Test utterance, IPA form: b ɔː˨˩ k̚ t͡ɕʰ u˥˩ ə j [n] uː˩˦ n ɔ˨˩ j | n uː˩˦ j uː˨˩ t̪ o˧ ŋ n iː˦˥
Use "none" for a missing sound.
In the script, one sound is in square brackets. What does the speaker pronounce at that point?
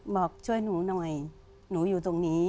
n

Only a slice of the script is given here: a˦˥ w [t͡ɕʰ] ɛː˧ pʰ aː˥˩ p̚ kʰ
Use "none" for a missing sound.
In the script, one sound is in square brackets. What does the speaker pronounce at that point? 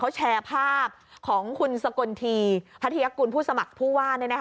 t͡ɕʰ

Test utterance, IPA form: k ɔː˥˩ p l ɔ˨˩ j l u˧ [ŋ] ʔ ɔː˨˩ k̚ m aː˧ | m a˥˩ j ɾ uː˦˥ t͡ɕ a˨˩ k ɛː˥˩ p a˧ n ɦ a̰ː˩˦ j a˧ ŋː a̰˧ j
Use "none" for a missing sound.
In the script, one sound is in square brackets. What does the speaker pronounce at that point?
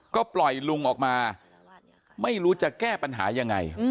ŋ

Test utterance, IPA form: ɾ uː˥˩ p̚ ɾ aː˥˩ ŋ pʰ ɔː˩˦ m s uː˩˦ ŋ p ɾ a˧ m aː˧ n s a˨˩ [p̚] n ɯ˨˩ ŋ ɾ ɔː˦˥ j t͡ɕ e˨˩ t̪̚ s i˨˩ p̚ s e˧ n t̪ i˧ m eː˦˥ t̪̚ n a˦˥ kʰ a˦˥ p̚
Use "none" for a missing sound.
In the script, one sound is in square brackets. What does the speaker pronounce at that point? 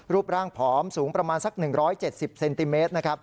k̚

